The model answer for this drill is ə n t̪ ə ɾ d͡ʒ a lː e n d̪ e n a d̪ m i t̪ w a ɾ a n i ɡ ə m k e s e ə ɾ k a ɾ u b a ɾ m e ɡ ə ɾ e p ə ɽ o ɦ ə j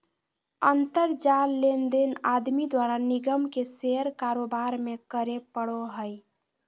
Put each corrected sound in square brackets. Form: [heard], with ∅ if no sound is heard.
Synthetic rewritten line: ə n t̪ ə ɾ d͡ʒ a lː e n d̪ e n a d̪ m i [d̪] w a ɾ a n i ɡ ə m k e s e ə ɾ k a ɾ [o] b a ɾ m e [k] ə ɾ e p ə ɽ o ɦ ə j